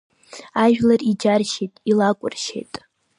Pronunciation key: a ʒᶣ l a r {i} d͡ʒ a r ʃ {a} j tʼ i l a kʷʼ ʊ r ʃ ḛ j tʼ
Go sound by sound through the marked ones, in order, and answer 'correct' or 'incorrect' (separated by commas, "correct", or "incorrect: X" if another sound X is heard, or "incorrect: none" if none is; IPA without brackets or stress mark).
correct, incorrect: e